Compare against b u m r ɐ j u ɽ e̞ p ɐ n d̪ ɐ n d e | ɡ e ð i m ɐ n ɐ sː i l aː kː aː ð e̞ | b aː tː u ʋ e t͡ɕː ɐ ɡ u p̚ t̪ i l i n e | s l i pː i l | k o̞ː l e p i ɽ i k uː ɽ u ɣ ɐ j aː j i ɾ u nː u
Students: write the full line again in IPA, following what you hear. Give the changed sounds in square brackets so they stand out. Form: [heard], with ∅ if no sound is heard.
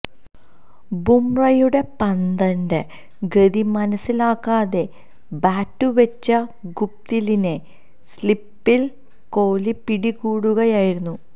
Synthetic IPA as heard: b u m r ɐ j u ɽ e̞ p ɐ n d̪ ɐ n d e | ɡ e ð i m ɐ n ɐ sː i l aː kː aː ð e̞ | b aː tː u ʋ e t͡ɕː ɐ ɡ u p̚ t̪ i l i n e | s l i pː i l | k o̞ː l [i] p i ɽ i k uː ɽ u ɣ ɐ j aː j i ɾ u nː u